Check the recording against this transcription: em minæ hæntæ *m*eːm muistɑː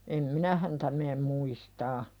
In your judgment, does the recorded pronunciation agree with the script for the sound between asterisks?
yes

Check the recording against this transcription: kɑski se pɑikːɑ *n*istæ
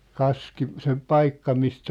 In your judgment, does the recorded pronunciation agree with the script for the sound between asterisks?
no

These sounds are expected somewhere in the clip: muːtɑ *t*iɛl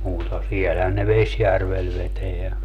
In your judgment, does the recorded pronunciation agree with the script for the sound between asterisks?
no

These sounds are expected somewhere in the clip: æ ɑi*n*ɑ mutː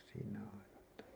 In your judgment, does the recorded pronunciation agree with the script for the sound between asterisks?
yes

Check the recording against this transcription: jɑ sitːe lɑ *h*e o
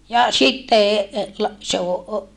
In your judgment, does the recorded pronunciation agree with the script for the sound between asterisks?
no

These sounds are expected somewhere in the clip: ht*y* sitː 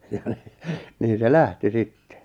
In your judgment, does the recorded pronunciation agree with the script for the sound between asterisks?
no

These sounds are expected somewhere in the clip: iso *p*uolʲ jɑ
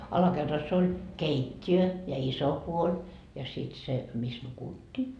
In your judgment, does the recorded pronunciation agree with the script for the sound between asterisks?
yes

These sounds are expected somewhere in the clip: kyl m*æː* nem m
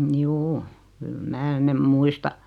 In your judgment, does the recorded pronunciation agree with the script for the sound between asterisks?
yes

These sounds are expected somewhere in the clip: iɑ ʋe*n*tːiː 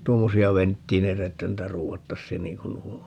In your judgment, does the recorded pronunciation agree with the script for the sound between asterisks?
yes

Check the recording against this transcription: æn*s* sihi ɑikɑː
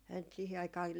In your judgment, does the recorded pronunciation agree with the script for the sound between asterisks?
no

